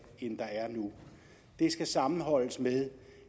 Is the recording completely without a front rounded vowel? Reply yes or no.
yes